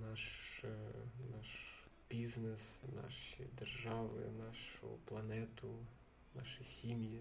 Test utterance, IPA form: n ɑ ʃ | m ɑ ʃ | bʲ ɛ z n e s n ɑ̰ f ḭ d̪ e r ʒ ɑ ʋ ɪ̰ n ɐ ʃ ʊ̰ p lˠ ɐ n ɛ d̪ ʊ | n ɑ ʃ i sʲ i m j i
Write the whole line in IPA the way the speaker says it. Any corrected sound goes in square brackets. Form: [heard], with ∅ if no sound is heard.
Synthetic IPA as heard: n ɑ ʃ | [n] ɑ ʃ | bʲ [i] z n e s n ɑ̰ [ʃ] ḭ d̪ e r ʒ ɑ ʋ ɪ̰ n [ɑ] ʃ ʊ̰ p lˠ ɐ n ɛ [t̪] ʊ | n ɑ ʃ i sʲ i m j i